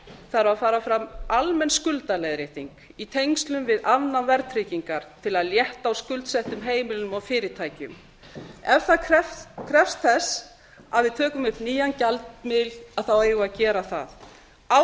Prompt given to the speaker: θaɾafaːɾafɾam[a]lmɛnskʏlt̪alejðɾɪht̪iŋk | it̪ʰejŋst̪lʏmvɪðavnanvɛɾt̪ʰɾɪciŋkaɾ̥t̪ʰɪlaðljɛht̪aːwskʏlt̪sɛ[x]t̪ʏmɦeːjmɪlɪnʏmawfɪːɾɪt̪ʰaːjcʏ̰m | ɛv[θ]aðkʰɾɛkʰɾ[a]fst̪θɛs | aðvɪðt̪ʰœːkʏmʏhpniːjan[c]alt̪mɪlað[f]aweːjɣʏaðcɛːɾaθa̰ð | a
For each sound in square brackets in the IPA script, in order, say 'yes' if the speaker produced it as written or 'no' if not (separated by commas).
yes, no, yes, no, yes, no